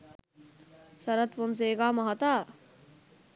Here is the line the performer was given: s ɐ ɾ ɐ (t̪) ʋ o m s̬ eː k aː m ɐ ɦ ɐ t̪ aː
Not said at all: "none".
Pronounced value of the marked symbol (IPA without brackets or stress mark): t̪